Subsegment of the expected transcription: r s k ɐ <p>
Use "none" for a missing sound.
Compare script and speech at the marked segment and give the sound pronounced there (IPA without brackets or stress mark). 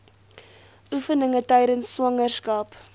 p